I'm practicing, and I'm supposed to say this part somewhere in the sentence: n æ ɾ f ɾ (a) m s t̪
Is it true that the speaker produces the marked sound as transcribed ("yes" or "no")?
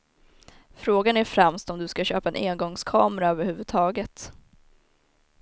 no